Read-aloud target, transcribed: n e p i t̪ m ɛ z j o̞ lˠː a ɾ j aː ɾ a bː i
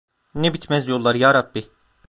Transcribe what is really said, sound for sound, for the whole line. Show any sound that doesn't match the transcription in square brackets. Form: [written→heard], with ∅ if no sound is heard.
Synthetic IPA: n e [p→b] i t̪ m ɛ z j o̞ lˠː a ɾ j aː ɾ a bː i